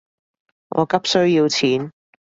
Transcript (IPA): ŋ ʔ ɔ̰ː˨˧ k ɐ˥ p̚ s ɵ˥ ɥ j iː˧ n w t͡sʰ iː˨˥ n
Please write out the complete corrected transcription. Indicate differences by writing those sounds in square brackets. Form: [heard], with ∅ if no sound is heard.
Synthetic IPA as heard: ŋ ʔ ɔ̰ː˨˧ k ɐ˥ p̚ s ɵ˥ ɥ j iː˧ [∅] w t͡sʰ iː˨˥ n